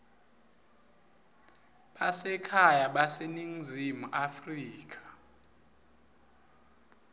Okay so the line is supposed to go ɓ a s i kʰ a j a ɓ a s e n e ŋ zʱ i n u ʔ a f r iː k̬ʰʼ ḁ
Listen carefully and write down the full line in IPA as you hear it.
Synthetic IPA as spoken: ɓ a s ɛ kʰ a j a ɓ a s e n i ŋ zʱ i m u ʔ a f r iː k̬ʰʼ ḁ